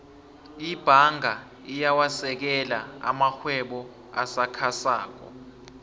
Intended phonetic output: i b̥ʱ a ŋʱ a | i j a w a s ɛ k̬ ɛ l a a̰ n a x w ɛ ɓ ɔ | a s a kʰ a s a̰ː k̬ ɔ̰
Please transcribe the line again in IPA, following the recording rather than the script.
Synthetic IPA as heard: i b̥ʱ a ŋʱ a | i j a w a s ɛ k̬ ɛ l a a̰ m a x w ɛ ɓ ɔ | a s a kʰ a s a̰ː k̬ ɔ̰